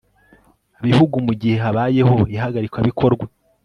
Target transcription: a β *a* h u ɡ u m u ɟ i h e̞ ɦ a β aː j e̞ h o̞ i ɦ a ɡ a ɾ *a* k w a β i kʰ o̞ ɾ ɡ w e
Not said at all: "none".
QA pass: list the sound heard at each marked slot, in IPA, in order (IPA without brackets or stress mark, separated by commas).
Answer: i, i